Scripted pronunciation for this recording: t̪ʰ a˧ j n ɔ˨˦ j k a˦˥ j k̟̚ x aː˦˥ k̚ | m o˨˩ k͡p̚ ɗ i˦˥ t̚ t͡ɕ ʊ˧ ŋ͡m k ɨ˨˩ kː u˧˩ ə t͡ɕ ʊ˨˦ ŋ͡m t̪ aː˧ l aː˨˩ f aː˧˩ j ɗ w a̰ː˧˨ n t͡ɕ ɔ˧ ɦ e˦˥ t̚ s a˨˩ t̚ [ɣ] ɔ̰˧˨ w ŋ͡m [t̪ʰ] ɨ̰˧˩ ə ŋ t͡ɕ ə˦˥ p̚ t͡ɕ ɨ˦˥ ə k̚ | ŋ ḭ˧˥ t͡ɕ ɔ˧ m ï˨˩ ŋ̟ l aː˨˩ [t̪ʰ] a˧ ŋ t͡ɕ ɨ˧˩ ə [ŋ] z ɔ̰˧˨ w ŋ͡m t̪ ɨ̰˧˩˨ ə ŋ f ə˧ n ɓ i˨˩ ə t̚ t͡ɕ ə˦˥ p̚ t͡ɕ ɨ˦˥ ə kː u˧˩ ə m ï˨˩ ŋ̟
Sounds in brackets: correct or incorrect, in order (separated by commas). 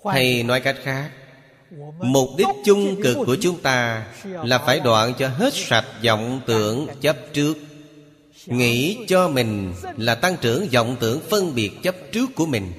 incorrect, incorrect, incorrect, correct